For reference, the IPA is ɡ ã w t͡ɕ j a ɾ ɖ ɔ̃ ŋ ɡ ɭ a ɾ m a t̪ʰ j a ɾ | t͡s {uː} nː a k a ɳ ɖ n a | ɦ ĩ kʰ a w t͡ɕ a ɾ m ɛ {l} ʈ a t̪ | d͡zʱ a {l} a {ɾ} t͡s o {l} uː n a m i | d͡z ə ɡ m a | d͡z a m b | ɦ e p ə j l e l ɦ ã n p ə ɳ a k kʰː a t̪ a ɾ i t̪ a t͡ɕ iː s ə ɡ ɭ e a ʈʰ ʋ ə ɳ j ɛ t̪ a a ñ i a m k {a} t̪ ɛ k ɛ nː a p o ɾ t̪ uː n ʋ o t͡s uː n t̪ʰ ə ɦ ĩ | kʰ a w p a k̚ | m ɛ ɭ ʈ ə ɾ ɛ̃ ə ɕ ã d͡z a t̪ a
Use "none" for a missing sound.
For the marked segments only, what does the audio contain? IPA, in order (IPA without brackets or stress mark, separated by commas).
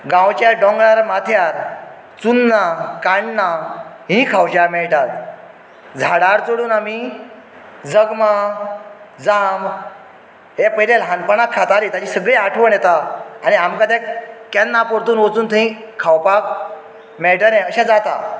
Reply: u, ɭ, ɽ, ɾ, ɽ, a